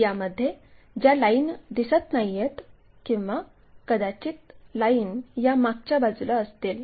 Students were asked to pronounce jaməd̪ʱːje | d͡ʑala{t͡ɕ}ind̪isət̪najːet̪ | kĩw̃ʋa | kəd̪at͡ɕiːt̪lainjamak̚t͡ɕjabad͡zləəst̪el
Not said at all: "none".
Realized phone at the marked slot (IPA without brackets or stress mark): none